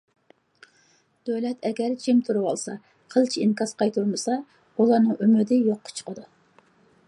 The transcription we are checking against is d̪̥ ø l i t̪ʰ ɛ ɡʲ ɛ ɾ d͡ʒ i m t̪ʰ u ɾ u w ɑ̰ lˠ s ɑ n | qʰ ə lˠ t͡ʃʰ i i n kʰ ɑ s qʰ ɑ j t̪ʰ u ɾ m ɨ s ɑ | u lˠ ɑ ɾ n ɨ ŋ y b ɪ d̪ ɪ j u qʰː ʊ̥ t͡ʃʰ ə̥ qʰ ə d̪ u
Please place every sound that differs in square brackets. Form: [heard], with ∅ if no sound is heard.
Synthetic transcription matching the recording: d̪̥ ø l [ɛ] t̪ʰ ɛ ɡʲ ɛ ɾ d͡ʒ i m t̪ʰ u ɾ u w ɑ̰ lˠ s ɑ [∅] | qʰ ə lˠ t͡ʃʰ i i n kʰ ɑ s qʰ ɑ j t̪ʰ u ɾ m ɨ s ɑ | u lˠ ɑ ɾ n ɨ ŋ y [m] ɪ d̪ ɪ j [o] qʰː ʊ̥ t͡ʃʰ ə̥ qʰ ə d̪ u